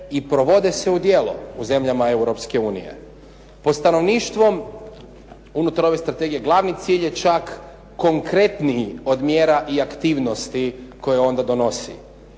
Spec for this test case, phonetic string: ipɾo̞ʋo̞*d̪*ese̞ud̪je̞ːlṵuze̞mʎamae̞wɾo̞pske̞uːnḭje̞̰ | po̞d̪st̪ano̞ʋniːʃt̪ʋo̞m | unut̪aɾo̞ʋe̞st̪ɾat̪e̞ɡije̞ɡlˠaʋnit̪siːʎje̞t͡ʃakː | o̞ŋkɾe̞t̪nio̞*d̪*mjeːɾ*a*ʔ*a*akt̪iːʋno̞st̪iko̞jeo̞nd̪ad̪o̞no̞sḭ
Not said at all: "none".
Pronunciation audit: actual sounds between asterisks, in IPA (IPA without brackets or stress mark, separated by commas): d̪, d̪, a, i